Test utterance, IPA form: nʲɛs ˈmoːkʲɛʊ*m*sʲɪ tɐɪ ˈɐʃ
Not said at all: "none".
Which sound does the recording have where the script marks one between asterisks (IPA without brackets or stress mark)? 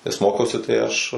none